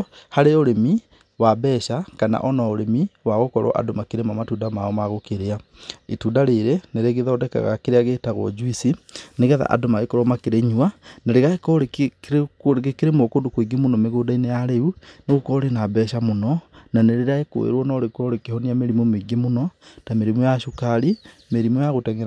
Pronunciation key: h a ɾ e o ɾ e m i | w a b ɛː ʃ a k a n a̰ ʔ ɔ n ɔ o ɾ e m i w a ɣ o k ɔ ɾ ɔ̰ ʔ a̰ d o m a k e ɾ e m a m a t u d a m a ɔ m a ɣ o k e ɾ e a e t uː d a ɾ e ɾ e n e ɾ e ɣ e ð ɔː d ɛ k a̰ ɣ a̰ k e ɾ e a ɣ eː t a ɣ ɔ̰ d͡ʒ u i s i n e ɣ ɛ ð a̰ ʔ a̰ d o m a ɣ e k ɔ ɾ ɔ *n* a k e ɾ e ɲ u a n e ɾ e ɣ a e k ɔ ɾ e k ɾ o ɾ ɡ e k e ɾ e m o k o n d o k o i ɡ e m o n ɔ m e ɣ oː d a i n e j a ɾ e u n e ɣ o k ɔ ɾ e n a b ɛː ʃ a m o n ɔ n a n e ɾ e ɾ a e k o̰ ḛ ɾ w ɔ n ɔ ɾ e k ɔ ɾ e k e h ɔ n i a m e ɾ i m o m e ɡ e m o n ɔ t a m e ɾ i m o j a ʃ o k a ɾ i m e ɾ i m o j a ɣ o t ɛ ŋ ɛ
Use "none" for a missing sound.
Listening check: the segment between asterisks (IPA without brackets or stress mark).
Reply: m